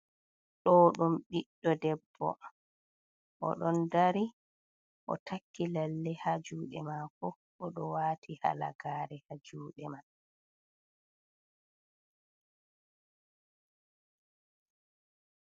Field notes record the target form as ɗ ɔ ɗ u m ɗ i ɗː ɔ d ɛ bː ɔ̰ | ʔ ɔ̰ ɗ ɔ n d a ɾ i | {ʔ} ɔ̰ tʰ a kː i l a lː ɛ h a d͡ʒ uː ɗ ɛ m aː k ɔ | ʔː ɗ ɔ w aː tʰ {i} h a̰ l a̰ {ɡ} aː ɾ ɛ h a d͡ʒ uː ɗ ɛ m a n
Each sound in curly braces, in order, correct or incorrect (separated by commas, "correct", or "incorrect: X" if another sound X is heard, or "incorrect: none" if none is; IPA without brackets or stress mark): correct, correct, correct